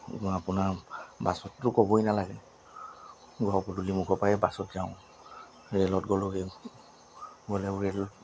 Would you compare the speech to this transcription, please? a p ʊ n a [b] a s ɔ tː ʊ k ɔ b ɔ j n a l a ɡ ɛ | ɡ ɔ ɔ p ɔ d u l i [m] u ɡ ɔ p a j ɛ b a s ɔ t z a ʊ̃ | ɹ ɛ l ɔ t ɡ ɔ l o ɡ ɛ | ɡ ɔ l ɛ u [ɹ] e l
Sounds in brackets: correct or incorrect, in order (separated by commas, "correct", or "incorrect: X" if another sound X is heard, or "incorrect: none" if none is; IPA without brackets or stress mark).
correct, correct, correct